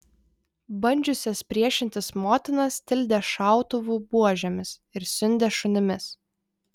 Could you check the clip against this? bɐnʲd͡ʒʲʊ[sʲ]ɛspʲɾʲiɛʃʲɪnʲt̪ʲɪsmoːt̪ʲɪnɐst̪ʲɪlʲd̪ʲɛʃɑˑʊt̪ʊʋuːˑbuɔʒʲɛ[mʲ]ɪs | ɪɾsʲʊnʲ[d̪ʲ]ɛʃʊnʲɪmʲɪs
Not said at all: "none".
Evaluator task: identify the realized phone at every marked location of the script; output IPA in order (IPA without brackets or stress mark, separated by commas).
sʲ, mʲ, d̪ʲ